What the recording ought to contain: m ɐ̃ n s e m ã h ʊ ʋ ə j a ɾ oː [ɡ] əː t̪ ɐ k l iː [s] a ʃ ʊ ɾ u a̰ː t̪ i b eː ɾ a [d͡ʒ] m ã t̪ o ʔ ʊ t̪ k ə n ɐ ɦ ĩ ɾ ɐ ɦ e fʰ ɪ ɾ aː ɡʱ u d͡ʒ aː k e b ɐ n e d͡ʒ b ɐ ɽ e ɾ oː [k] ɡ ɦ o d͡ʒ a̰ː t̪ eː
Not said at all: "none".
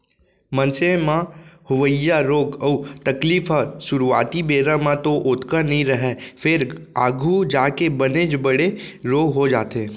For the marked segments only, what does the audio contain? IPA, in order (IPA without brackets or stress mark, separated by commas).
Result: ɡ, f, none, none